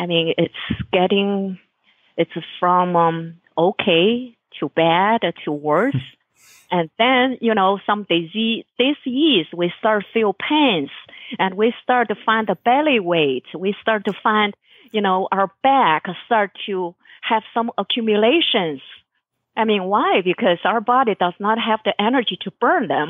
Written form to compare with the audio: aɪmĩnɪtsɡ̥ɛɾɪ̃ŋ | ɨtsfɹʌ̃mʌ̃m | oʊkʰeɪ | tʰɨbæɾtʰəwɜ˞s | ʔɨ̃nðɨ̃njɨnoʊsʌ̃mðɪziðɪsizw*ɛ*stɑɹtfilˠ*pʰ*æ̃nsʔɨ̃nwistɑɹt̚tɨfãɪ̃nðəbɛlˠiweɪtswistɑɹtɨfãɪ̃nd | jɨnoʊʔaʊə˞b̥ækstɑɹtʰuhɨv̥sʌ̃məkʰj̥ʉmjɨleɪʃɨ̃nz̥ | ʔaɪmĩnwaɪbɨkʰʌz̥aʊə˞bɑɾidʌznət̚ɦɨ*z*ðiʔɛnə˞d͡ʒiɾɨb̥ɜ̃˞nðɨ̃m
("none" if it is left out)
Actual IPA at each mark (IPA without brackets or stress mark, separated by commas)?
i, pʰ, v